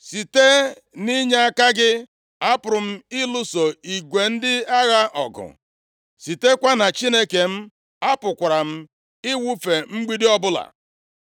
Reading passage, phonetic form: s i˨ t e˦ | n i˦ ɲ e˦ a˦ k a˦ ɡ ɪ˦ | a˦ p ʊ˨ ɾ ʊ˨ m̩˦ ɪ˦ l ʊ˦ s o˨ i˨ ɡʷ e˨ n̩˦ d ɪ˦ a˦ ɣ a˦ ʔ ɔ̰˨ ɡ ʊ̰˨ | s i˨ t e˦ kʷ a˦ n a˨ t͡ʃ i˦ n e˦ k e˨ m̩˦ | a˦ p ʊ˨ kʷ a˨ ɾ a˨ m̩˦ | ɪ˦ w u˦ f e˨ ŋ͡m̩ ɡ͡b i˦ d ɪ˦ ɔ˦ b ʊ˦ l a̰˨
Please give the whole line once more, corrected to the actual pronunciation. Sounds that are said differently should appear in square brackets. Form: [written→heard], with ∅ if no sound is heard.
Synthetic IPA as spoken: s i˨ t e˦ | n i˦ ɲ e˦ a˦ k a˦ ɡ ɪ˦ | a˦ p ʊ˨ ɾ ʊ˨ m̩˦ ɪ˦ l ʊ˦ s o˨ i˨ ɡʷ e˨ n̩˦ d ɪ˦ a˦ ɣ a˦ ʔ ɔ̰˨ ɡ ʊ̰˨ | s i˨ t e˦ kʷ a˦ n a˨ t͡ʃ i˦ n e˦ k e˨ m̩˦ | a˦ p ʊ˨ kʷ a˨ ɾ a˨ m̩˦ | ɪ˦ w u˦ f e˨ ŋ͡m̩ ɡ͡b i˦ d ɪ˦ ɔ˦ b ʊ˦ l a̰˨

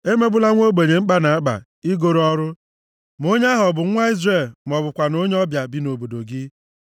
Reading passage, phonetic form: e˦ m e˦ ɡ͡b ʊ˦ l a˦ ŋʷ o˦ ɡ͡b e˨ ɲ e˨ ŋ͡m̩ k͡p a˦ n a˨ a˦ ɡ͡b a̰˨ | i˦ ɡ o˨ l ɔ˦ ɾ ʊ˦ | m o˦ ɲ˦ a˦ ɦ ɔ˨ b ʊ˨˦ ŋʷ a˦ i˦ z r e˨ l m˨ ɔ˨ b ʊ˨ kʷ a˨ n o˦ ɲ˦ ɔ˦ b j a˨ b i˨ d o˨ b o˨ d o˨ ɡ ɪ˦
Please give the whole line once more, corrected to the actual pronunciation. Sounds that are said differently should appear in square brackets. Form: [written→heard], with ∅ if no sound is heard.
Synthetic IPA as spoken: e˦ m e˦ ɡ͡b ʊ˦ l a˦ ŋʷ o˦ ɡ͡b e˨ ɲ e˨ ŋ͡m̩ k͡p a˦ n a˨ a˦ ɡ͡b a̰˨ | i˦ ɡ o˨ [l→ɾ] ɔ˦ ɾ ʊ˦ | m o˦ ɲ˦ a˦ ɦ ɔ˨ b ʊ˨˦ ŋʷ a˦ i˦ z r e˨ l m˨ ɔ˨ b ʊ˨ kʷ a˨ n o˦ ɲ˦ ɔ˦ b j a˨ b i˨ [d→n] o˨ b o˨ d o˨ ɡ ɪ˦

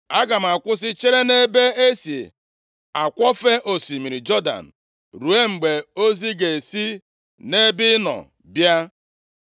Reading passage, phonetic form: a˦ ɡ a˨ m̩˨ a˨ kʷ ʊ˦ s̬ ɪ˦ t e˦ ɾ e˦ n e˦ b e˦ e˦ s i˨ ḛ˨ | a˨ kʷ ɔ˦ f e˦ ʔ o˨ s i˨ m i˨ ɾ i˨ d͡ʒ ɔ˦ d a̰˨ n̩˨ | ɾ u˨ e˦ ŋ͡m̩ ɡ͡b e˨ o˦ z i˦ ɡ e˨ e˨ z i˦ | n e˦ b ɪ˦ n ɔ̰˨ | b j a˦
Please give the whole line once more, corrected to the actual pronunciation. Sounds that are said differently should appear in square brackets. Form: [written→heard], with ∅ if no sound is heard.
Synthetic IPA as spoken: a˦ ɡ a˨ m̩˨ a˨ kʷ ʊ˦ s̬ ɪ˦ [t→t͡ʃ] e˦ ɾ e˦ n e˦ b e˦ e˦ s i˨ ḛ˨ | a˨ kʷ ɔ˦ f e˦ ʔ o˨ s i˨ m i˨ ɾ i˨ d͡ʒ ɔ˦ d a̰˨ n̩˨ | ɾ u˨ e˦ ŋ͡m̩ ɡ͡b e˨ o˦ z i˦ ɡ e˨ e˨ [z→s] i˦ | n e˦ b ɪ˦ n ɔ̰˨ | b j a˦

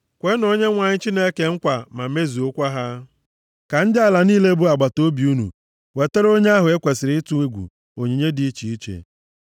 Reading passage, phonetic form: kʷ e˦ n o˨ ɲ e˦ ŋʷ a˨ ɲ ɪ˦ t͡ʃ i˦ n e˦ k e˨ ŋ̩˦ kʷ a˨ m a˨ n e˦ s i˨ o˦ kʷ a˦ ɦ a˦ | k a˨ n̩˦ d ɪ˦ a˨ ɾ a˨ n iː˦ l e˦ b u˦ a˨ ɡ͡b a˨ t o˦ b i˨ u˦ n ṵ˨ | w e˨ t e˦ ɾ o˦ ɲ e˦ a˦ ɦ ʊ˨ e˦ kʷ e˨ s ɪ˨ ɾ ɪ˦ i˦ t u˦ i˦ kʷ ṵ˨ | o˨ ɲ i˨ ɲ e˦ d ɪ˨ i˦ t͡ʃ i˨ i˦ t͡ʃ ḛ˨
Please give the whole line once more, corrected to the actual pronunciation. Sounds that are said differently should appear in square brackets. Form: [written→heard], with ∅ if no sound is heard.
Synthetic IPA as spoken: kʷ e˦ n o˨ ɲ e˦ ŋʷ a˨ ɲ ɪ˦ t͡ʃ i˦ n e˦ k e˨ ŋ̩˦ kʷ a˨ m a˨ [n→m] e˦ [s→z] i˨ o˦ kʷ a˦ ɦ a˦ | k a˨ n̩˦ d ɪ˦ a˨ [ɾ→l] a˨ n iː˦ l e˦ b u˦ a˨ ɡ͡b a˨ t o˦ b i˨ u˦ n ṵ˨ | w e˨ t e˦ ɾ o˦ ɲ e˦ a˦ ɦ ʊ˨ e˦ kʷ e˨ s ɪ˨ ɾ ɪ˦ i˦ t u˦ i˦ [kʷ→ɡʷ] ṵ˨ | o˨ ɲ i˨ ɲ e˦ d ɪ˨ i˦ t͡ʃ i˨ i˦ t͡ʃ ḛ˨

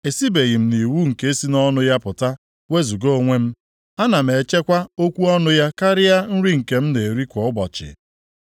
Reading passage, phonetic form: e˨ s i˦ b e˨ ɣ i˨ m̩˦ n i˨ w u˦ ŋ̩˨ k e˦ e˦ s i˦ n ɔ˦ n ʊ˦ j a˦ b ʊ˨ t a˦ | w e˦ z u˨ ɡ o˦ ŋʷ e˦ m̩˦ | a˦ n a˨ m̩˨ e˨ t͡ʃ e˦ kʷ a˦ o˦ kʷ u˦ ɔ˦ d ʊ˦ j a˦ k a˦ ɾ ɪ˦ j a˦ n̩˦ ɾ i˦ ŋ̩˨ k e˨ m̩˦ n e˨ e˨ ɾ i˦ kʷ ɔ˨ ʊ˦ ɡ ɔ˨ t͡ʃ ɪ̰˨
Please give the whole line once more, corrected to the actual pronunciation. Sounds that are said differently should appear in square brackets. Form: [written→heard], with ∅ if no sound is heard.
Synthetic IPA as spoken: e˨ s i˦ b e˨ ɣ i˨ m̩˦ n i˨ w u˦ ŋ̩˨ k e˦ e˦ s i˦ n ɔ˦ n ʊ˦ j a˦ [b→p] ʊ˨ t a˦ | w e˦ z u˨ ɡ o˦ ŋʷ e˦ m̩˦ | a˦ n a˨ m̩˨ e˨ t͡ʃ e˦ kʷ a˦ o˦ kʷ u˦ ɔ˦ [d→n] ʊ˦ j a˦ k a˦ ɾ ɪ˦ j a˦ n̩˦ ɾ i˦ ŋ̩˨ k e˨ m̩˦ n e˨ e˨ ɾ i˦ kʷ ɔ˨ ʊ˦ [ɡ→b] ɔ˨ t͡ʃ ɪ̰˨

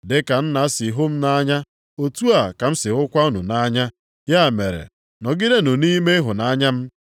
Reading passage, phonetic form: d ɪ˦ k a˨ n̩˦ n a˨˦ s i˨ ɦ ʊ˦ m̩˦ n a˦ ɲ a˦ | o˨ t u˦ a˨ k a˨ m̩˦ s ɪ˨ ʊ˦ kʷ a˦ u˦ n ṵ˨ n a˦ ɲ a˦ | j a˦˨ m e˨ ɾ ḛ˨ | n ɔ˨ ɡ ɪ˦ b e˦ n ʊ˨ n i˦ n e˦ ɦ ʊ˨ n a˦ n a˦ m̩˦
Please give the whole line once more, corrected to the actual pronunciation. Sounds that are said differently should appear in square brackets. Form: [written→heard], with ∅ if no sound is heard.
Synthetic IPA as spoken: d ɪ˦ k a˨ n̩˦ n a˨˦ s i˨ ɦ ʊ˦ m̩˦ n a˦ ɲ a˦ | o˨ t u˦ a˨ k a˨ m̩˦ s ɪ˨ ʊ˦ kʷ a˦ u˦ n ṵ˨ n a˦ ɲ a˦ | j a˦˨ m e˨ ɾ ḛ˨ | n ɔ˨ ɡ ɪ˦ [b→d] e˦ n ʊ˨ n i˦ [n→m] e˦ ɦ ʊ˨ n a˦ [n→ɲ] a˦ m̩˦

